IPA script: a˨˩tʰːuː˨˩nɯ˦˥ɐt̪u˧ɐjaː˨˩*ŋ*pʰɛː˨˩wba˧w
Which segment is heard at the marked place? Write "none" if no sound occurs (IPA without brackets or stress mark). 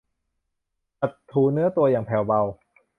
ŋ